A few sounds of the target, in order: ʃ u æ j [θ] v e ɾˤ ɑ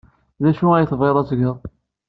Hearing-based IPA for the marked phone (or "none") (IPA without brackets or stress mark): θ